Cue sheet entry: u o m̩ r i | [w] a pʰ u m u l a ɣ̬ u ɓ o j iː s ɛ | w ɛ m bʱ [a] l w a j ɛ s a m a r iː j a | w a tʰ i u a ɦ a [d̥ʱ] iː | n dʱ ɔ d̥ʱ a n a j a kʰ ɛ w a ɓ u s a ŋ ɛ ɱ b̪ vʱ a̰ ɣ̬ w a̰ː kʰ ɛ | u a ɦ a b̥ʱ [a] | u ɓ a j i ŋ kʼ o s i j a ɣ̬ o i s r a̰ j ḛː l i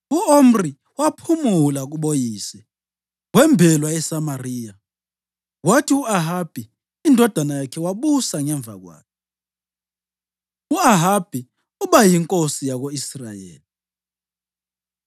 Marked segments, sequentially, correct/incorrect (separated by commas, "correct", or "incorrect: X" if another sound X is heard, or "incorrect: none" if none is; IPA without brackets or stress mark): correct, incorrect: ɛ, incorrect: b̥ʱ, incorrect: i